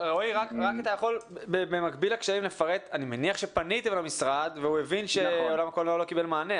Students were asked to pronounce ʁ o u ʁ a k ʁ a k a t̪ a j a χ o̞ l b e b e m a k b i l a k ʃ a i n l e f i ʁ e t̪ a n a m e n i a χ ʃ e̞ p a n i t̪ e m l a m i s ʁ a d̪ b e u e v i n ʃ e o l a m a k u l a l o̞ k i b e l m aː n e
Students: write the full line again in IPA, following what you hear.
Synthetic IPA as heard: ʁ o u ʁ a k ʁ a k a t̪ a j a χ o̞ l b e b e m a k b i l a k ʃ a i m l e f a ʁ e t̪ a n i m e n i a χ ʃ e̞ p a n i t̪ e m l a m i s ʁ a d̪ v e u e v i n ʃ e o l a m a k o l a l o̞ k i b e l m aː n e